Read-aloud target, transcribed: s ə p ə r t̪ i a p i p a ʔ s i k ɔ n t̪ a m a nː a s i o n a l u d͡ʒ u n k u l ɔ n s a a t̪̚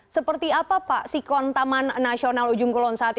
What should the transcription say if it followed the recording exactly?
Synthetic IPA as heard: s ə p ə r t̪ i a p a p a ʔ s i k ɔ n t̪ a m a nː a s i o n a l u d͡ʒ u ŋ k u l ɔ n s a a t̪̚